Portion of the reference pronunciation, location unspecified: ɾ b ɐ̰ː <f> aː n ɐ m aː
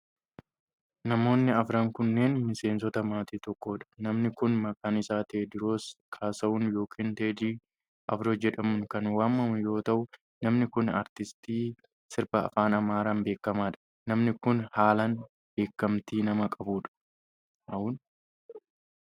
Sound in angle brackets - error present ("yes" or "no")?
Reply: no